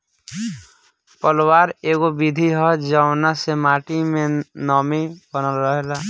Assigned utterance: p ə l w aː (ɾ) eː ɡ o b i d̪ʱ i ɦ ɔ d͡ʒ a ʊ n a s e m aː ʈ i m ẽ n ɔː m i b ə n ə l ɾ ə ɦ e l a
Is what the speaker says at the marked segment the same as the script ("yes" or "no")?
yes